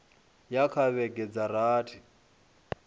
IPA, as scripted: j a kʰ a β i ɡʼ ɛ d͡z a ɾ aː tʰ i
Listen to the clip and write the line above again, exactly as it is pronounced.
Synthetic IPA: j a kʰ a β ɛ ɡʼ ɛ d͡z a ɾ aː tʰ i

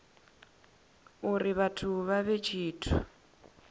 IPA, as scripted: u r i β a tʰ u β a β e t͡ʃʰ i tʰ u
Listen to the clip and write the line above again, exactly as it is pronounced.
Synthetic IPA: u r i β a tʰ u β a β e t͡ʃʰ iː tʰ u

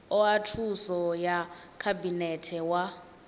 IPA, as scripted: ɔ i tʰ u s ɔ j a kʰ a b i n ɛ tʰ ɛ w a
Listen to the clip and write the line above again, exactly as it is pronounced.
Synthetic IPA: ɔ a tʰ u s ɔ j a kʰ a b i n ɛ tʰ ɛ w a

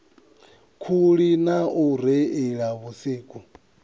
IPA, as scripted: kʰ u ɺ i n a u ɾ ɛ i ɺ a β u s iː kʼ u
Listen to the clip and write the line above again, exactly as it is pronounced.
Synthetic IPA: kʰ u ɺ i n a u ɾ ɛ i ɺ a β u s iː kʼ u

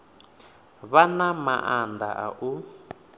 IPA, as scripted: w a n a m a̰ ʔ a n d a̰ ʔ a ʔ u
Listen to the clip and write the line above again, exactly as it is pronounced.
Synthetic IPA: β a n a m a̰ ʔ a n d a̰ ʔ a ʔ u

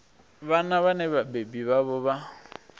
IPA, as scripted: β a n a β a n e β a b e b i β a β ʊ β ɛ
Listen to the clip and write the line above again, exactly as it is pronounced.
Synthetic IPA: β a n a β a n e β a b e b i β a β ʊ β a

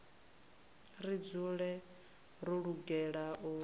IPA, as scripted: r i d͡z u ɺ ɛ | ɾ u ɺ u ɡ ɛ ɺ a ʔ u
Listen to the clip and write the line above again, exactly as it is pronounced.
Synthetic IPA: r i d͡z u ɺ ɛ | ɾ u ɺ u ɡ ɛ ɺ a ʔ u

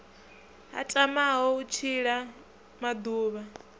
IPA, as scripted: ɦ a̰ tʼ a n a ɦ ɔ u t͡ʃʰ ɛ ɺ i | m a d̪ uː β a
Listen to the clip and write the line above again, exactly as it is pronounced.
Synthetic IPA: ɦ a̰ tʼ a m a ɦ ɔ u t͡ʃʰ i ɺ a | m a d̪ uː β a

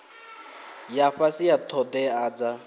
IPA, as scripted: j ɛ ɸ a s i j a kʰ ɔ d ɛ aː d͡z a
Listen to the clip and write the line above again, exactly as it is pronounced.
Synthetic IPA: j a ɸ a s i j a tʰ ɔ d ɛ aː d͡z a

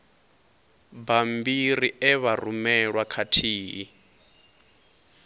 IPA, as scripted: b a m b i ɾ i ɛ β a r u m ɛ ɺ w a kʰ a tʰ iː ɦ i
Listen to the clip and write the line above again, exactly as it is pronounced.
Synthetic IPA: b a m b i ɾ i ɛ β a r u m ɛ ɺ w a kʰ a tʰ iː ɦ i

